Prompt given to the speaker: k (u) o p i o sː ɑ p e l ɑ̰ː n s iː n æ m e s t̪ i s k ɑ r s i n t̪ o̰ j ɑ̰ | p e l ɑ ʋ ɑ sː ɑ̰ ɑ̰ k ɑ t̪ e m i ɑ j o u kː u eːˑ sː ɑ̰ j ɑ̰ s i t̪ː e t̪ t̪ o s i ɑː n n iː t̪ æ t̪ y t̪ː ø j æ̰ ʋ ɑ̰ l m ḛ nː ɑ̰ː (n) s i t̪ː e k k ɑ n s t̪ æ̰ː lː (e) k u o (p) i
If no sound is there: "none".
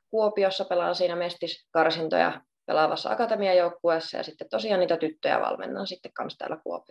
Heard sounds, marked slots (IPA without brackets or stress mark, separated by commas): u, n, æ, p